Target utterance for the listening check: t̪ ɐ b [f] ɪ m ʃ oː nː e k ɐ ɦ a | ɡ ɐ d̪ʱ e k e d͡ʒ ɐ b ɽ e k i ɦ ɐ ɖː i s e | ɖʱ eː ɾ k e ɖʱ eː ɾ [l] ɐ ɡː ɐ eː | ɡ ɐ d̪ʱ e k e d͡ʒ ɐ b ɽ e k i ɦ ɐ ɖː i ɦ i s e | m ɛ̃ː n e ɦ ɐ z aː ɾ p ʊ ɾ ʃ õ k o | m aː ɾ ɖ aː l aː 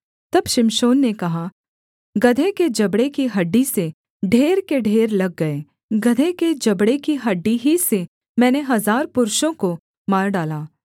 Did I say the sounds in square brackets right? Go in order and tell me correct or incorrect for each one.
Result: incorrect: ʃ, correct

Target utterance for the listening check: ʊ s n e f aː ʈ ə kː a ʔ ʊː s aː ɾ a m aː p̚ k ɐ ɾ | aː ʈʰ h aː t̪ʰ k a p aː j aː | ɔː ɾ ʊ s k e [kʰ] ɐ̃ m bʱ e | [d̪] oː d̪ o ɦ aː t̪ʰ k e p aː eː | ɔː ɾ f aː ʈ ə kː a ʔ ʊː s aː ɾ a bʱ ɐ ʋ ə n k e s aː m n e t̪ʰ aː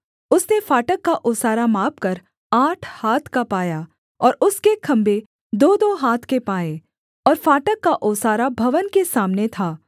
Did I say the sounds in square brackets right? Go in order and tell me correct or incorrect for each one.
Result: correct, correct

